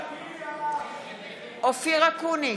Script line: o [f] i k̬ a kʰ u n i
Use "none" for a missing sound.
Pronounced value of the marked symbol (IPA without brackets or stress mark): f